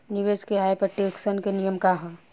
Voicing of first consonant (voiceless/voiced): voiced